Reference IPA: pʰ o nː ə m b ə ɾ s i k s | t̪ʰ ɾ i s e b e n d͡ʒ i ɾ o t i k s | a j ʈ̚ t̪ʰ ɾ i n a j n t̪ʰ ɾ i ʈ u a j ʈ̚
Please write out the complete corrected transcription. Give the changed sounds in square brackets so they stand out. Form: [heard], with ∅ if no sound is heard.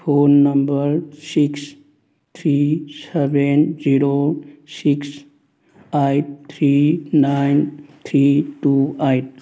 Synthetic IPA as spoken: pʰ o nː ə m b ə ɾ s i k s | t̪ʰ ɾ i s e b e n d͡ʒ i ɾ o [s] i k s | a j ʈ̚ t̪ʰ ɾ i n a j n t̪ʰ ɾ i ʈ u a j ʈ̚